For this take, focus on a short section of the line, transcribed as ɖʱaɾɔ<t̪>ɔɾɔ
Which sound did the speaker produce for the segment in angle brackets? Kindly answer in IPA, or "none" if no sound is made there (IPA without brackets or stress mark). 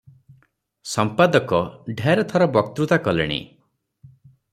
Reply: t̪ʰ